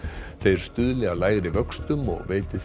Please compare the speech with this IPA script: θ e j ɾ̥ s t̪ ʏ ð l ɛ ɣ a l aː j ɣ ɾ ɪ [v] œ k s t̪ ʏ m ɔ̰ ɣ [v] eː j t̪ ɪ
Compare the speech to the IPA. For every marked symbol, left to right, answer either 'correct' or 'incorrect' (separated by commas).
correct, correct